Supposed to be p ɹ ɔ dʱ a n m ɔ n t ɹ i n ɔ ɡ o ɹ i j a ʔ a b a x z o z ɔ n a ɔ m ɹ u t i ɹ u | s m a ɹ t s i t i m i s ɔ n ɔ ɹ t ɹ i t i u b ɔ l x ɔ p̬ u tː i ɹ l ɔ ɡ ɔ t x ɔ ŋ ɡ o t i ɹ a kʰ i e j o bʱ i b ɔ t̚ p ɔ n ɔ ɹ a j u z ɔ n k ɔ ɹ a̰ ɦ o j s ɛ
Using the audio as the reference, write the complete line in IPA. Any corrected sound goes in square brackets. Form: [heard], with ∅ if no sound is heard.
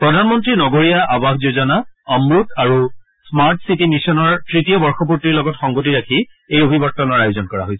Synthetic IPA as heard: p ɹ ɔ dʱ a n m ɔ n t ɹ i n ɔ ɡ o ɹ i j a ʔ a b a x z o z ɔ n a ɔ m ɹ u t [a] ɹ u | s m a ɹ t s i t i m i s ɔ n ɔ ɹ t ɹ i t i [ɔ] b ɔ [ɹ] x ɔ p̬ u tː i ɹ l ɔ ɡ ɔ t x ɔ ŋ ɡ o t i ɹ a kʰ i e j o bʱ i b ɔ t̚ [t] ɔ n ɔ ɹ a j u z ɔ n k ɔ ɹ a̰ ɦ o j s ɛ